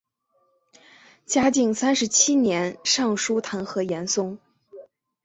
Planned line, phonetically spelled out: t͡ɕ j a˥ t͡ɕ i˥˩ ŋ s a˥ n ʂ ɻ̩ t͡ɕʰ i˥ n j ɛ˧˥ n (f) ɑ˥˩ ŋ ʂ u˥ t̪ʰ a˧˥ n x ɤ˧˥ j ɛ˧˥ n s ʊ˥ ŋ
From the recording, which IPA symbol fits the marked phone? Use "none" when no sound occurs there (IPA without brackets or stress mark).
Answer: ʂ